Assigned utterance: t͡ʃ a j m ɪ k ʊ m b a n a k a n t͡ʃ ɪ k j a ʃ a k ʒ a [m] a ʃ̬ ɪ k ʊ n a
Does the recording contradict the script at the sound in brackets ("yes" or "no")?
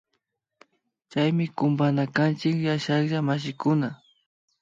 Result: no